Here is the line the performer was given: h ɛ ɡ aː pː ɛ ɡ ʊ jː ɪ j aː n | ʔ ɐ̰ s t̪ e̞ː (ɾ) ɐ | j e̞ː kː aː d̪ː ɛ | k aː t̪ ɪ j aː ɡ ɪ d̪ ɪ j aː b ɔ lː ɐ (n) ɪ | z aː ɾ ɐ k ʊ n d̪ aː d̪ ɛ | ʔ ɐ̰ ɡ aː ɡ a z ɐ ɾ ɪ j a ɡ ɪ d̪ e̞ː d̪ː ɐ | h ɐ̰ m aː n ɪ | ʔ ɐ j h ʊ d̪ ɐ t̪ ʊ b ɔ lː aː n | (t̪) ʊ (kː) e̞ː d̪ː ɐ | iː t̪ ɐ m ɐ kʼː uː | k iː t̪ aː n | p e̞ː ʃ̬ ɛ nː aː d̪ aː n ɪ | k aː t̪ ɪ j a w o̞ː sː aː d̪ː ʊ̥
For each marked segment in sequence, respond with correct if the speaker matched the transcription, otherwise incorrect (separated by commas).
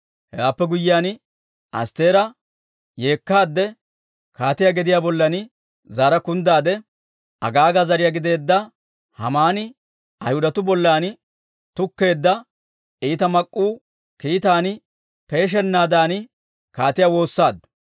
correct, correct, correct, correct